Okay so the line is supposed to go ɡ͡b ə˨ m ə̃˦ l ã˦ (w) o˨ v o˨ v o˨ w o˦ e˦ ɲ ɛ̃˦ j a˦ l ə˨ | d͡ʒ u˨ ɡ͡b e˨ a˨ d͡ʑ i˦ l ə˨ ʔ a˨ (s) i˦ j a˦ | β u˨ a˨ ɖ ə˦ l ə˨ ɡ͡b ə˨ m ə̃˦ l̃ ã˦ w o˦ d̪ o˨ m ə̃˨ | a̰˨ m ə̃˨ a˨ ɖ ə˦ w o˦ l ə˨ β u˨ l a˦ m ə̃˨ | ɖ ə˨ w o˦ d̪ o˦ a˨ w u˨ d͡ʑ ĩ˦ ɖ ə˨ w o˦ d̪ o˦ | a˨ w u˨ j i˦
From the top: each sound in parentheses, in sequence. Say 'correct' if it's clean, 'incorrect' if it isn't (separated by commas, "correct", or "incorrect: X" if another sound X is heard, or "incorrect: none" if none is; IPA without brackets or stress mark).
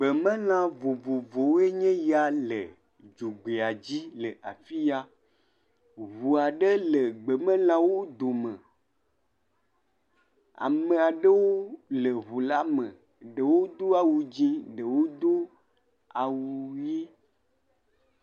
incorrect: v, incorrect: f